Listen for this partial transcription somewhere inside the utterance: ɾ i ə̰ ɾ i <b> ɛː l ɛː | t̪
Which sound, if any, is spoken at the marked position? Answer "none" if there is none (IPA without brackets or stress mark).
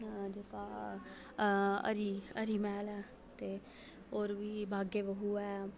m